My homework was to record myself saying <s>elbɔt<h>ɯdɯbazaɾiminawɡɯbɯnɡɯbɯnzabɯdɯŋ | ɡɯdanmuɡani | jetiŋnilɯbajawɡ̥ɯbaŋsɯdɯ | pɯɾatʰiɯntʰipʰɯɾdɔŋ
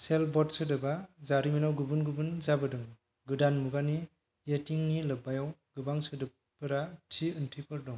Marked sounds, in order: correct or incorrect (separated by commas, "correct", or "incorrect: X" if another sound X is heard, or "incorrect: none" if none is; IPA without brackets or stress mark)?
correct, incorrect: s